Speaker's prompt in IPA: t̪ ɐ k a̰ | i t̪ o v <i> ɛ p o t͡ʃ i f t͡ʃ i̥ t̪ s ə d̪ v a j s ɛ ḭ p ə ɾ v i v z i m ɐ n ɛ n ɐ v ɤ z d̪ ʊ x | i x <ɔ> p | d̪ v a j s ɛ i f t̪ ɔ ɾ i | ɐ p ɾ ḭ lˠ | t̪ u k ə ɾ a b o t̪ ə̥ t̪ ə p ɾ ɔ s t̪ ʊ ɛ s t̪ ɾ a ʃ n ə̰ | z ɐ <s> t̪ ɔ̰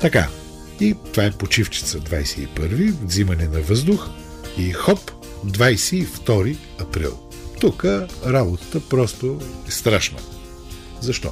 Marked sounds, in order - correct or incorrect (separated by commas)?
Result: incorrect, correct, incorrect